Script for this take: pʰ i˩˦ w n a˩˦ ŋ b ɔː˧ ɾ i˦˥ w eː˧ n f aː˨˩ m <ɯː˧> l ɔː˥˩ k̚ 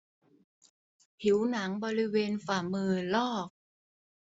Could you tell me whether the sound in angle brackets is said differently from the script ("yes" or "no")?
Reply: no